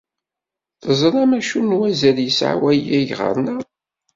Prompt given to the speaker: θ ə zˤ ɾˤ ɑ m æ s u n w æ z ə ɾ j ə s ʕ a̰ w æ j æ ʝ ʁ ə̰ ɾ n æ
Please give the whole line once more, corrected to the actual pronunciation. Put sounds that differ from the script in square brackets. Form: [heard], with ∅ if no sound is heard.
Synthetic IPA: θ ə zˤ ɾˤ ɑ m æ [ʃ] u n w æ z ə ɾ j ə s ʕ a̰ w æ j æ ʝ ʁ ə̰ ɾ n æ